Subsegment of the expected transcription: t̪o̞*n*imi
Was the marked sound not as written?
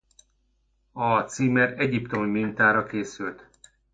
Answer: yes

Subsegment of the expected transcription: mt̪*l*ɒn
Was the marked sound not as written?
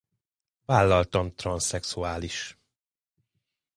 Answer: yes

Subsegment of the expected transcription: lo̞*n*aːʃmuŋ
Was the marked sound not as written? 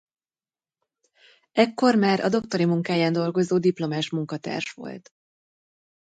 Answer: yes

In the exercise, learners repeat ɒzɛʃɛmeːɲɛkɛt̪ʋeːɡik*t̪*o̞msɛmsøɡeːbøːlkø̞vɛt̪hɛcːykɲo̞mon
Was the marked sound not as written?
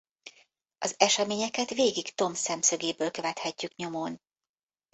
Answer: no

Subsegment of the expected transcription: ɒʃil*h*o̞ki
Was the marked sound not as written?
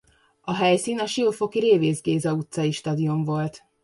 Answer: yes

